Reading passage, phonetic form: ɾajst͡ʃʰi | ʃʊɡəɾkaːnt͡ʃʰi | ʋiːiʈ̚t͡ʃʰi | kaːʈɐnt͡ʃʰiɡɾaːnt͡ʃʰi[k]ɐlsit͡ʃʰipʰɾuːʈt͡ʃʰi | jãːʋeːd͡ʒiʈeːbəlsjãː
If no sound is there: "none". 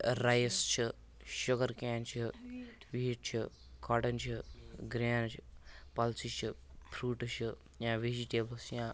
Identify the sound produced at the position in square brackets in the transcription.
p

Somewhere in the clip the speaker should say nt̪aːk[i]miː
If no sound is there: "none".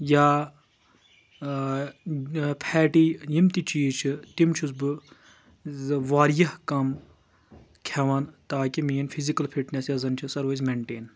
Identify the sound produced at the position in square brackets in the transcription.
i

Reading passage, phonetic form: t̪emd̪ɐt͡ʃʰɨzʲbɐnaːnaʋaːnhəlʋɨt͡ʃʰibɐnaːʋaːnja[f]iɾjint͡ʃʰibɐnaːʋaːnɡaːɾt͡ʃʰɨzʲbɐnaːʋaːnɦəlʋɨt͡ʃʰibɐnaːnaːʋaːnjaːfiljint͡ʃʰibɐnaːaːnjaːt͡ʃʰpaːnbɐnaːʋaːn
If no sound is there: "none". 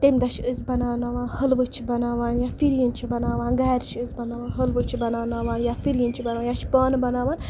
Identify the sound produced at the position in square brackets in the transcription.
f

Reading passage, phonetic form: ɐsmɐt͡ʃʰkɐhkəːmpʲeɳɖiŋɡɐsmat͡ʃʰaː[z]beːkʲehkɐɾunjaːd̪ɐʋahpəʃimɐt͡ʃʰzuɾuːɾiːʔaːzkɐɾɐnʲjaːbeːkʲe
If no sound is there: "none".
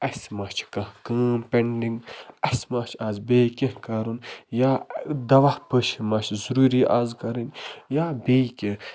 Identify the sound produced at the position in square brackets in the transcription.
z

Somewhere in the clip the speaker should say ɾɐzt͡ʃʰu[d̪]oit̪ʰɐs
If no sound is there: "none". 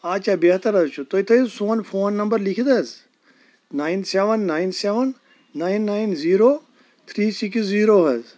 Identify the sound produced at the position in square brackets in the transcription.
t̪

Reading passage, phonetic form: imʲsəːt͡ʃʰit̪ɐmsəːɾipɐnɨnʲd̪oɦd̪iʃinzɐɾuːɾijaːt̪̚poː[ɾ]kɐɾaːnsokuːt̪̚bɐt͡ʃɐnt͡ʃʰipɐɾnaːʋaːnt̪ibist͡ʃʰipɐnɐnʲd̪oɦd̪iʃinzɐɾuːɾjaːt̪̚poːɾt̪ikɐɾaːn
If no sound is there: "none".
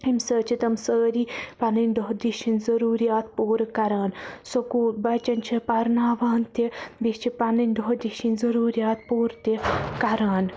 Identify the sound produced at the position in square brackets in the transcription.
ɾ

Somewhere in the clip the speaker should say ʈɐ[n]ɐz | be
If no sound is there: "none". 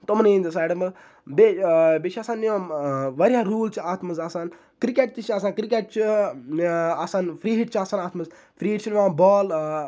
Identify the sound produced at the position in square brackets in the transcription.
m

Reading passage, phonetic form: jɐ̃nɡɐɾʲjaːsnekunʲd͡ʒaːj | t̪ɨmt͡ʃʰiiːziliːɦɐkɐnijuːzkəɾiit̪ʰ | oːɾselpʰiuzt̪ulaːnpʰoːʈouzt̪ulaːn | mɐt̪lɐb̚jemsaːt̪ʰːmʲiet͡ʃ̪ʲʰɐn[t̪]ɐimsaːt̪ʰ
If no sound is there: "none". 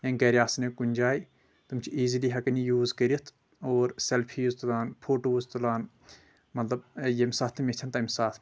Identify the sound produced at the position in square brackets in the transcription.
t̪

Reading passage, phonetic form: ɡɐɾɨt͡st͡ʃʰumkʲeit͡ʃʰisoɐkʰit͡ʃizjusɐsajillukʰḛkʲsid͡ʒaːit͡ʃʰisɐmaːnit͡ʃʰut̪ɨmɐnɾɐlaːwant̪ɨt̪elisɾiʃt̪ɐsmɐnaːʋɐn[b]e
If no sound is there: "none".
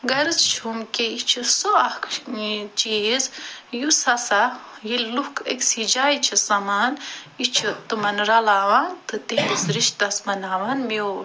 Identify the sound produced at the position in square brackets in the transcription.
m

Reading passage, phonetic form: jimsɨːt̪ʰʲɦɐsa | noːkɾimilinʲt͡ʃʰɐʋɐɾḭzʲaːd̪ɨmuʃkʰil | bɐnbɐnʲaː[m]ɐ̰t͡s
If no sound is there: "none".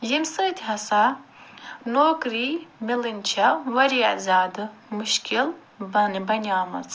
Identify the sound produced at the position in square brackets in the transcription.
m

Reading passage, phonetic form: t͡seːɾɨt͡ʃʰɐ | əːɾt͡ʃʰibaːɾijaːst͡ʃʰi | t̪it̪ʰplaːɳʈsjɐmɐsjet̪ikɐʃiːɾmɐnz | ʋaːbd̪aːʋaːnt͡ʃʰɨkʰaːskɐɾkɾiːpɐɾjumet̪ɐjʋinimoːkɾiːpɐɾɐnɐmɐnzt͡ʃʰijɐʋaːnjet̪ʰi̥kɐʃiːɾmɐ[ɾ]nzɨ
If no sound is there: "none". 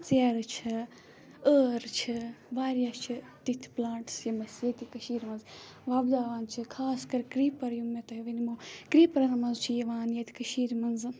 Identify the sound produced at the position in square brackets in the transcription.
none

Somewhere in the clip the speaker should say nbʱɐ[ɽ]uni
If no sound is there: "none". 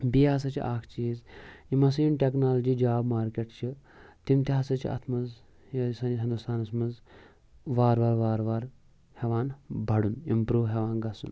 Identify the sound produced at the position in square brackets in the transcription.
ɽ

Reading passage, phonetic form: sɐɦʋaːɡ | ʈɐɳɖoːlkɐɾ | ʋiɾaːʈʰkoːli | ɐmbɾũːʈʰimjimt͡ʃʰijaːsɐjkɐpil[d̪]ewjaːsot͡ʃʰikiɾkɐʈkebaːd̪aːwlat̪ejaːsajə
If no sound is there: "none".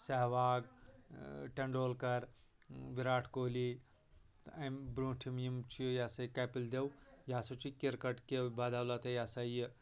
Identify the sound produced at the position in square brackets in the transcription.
d̪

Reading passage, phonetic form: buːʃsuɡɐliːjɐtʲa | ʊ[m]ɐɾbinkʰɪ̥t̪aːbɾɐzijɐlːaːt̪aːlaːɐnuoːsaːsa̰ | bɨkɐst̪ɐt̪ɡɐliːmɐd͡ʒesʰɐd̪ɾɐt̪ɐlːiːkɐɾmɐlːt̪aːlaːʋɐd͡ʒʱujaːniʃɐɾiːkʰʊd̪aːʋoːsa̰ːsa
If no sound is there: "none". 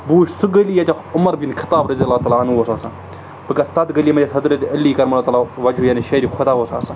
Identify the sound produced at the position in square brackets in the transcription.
m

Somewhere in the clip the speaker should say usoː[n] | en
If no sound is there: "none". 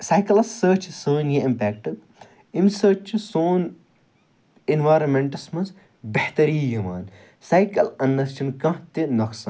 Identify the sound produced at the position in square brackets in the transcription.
n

